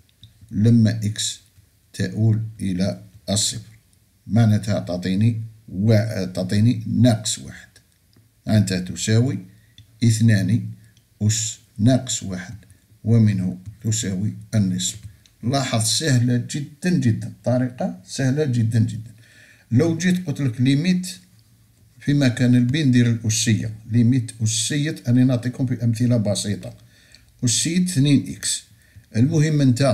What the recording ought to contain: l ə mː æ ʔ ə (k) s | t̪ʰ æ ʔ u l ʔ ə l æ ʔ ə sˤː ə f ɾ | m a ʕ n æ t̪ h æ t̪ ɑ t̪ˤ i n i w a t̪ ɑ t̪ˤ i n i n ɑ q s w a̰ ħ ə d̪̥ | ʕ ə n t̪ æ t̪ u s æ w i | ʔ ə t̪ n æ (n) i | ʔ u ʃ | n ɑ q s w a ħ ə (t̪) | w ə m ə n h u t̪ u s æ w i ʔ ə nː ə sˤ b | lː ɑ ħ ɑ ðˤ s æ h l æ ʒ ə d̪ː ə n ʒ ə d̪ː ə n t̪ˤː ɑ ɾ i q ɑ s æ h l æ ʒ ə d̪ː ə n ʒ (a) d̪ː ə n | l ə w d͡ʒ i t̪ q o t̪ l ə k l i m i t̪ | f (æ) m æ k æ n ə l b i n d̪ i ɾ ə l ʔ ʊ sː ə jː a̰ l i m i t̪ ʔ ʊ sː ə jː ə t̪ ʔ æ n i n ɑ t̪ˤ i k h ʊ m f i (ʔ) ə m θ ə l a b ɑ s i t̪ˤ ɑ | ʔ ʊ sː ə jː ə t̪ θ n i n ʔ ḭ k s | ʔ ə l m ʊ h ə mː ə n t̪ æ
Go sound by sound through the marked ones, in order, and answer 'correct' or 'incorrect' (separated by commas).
correct, correct, incorrect, incorrect, incorrect, correct